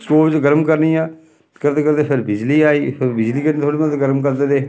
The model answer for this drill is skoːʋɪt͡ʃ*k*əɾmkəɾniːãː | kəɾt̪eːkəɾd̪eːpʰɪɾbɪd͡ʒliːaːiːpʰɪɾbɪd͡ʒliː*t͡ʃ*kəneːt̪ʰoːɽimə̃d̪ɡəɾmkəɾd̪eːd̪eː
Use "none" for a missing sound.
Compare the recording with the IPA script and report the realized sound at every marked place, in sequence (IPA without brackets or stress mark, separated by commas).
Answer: ɡ, none